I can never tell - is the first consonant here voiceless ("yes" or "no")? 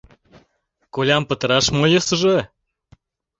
yes